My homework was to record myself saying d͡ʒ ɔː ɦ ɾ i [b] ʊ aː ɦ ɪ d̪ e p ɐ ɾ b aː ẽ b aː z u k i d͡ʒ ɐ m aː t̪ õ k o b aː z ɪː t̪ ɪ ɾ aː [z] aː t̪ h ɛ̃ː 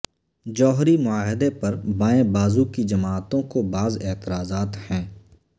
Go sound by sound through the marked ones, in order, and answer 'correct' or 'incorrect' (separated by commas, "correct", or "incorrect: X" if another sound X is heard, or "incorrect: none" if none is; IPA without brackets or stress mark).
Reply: incorrect: m, correct